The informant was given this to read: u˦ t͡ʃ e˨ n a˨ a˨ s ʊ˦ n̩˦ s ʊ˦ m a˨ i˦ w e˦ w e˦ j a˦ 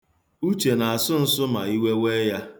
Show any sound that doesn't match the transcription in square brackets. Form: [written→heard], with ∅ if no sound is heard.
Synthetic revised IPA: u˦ t͡ʃ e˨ n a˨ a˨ s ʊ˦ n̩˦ s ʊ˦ m a˨ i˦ w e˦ w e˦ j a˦